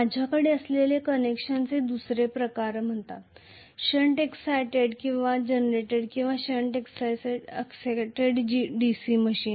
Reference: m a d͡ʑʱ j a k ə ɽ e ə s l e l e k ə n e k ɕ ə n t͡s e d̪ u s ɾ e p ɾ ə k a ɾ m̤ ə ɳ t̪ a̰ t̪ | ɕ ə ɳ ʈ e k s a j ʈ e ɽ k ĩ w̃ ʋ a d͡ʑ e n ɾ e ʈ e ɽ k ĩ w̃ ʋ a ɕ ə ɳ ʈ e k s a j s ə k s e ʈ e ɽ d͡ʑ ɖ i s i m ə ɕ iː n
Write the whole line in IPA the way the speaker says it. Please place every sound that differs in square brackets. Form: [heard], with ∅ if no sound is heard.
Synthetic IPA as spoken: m a d͡ʑʱ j a k ə ɽ e ə s l e l e k ə n e k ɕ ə n t͡s e d̪ u s ɾ e p ɾ ə k a ɾ m̤ ə ɳ t̪ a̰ t̪ | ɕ ə ɳ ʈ e k s a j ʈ e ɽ k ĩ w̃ ʋ a d͡ʑ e n ɾ e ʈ e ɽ k ĩ w̃ ʋ a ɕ ə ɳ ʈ e k s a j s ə k s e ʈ e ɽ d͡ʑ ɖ i s i m ə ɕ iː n

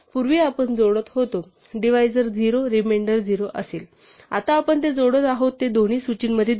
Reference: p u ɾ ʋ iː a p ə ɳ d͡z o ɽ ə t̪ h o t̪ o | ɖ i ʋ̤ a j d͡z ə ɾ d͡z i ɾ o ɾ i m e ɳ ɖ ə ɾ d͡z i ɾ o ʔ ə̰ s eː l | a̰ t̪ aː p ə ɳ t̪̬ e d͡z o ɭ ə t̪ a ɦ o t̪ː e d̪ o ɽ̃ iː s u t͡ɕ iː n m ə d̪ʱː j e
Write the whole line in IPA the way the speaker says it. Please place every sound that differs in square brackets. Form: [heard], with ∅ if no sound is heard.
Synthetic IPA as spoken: p u ɾ ʋ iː a p ə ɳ d͡z o ɽ ə t̪ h o t̪ o | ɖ i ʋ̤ a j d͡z ə ɾ d͡z i ɾ o ɾ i m e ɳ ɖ ə ɾ d͡z i ɾ o ʔ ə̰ s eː l | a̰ t̪ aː p ə ɳ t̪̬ e d͡z o [ɽ] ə t̪ a ɦ o t̪ː e d̪ o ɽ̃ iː s u t͡ɕ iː n m ə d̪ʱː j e

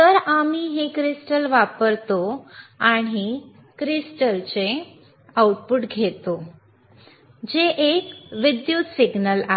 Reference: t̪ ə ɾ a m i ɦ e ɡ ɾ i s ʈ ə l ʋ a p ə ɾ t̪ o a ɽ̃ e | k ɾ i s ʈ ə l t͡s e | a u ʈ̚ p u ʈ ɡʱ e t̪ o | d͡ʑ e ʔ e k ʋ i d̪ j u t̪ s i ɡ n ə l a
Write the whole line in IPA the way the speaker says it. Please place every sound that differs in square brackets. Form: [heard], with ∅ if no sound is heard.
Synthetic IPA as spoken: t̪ ə ɾ a m i ɦ e [k] ɾ i s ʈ ə l ʋ a p ə ɾ t̪ o a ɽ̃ [i] | k ɾ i s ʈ ə l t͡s e | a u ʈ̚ p u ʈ ɡʱ e t̪ o | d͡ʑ e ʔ e k ʋ i d̪ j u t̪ s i ɡ n ə l a

